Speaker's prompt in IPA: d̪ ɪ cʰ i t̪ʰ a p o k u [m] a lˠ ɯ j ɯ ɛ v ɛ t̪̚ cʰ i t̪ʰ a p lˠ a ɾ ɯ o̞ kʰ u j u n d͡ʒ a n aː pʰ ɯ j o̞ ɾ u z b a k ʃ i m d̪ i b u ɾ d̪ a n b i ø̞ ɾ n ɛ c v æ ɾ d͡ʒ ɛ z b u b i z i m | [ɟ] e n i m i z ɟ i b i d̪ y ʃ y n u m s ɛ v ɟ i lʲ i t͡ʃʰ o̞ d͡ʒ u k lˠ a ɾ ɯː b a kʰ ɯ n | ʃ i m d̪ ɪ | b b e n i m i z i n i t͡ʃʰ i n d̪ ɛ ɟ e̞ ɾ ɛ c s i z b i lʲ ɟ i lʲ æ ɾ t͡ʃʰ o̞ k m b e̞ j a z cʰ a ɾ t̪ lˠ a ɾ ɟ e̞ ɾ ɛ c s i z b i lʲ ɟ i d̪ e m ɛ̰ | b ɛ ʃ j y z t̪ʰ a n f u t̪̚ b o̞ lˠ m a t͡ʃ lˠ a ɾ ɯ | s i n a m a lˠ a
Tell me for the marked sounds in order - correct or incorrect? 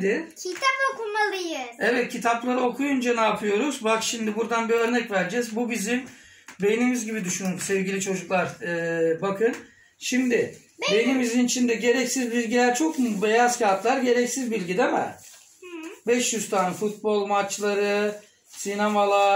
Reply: correct, incorrect

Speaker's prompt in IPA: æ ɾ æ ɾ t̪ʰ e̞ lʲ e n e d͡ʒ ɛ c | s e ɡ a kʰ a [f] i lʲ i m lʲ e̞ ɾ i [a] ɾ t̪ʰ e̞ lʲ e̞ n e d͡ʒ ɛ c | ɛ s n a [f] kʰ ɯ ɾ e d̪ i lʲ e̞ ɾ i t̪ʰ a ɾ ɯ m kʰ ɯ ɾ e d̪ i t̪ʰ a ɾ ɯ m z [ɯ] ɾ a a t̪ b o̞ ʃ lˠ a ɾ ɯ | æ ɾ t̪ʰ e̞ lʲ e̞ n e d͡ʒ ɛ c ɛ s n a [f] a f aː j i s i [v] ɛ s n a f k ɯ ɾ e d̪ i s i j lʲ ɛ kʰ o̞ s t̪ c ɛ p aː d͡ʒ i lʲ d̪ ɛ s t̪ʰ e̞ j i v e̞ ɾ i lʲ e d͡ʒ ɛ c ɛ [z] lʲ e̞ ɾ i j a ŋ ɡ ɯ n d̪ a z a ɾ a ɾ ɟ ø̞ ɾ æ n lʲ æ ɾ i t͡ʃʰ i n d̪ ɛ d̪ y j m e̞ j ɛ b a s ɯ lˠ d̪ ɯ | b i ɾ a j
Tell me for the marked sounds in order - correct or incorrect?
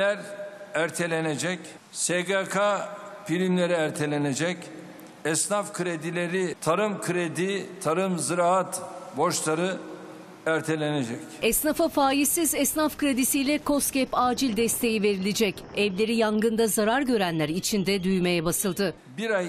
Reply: correct, incorrect, correct, correct, correct, incorrect, incorrect

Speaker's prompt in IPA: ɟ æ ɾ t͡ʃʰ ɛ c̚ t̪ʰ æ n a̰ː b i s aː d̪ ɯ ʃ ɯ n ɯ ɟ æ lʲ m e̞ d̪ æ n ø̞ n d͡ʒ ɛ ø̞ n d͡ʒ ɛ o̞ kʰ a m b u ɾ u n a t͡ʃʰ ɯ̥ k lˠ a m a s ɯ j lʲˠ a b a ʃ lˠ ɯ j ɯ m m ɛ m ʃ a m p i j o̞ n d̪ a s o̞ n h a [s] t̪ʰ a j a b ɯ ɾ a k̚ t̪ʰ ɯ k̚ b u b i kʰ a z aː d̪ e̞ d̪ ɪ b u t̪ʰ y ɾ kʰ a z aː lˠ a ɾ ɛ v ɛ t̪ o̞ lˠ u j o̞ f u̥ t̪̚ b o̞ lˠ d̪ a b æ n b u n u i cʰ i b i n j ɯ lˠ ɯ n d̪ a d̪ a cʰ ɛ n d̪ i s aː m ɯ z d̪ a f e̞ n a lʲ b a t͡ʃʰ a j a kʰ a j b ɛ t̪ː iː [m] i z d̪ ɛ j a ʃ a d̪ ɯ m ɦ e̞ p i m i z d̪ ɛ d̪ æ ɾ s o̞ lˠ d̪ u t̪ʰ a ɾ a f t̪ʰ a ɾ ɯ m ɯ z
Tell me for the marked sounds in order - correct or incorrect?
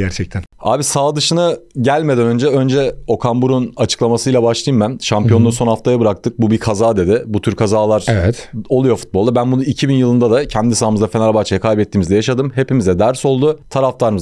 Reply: incorrect, correct

